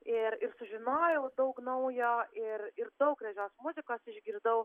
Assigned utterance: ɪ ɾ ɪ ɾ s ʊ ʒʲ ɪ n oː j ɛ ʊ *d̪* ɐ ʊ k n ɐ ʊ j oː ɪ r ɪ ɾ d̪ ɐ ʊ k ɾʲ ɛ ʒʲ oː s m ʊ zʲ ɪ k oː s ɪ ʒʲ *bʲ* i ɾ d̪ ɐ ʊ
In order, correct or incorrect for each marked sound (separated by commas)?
correct, incorrect